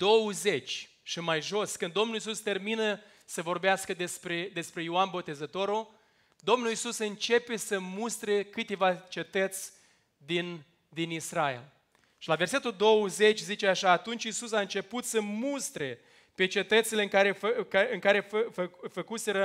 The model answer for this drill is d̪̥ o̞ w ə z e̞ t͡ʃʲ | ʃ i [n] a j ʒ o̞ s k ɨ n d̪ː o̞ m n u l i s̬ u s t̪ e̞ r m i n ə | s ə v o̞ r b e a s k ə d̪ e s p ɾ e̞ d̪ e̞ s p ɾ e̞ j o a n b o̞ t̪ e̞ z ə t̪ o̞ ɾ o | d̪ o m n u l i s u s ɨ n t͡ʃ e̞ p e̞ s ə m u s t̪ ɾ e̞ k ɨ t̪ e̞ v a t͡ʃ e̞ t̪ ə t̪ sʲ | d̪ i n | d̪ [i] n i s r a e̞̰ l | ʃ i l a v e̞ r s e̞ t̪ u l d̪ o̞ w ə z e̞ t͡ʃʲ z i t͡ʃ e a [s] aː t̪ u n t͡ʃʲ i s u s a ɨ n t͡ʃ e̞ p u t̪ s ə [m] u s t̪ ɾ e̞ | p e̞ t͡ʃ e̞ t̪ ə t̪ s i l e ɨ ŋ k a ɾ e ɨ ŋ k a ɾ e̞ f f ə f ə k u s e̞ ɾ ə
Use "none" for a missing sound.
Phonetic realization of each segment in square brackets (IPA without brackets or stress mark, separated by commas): m, i, ʃ, m